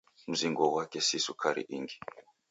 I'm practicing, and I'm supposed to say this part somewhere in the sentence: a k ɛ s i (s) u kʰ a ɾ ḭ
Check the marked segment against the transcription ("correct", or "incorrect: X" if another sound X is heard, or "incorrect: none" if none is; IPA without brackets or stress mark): correct